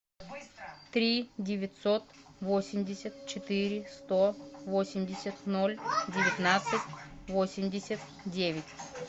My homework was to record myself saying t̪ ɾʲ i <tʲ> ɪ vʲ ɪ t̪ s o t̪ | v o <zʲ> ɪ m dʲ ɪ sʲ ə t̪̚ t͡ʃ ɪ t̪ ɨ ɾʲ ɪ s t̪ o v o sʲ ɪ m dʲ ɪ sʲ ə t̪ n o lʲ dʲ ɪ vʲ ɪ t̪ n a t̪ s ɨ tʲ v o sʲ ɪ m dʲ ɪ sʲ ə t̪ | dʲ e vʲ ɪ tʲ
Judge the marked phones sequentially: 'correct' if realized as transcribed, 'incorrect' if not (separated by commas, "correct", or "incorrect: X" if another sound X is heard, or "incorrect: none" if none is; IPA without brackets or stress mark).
incorrect: dʲ, incorrect: sʲ